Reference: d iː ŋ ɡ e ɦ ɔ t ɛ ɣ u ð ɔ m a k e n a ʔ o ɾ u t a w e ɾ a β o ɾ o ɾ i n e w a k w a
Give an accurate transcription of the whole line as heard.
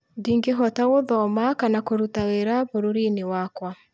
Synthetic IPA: d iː ŋ ɡ e ɦ ɔ t a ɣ o ð ɔ m a k a n a k o ɾ u t a w e ɾ a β o ɾ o ɾ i n e w a k w a